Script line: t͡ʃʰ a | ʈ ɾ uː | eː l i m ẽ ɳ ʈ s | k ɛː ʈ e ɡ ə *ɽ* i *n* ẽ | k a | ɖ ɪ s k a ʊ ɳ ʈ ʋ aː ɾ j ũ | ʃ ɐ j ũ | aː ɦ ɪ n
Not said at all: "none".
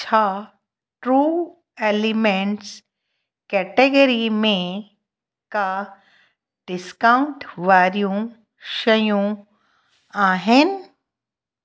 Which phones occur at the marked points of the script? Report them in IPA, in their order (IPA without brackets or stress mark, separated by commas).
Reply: ɾ, m